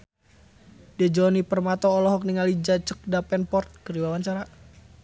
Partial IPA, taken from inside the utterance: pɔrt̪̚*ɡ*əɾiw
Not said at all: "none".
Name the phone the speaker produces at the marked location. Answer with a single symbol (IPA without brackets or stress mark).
k